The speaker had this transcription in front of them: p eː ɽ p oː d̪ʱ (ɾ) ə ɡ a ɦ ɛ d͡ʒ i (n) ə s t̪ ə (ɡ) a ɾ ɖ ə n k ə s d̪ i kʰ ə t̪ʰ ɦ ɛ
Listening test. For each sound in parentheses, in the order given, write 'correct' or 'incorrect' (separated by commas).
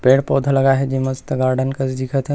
incorrect, incorrect, correct